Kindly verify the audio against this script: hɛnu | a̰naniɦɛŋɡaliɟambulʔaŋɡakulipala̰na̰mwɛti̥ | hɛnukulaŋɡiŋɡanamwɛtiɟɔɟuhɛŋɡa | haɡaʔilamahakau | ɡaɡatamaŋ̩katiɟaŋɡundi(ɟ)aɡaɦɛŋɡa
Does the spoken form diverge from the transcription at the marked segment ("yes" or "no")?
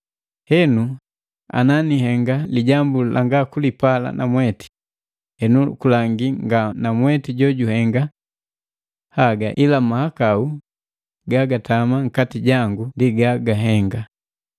yes